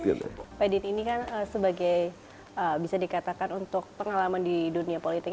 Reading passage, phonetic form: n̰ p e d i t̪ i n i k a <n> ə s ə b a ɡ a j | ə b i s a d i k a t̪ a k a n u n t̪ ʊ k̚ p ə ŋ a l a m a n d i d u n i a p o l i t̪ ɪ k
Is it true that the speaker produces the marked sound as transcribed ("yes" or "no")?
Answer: yes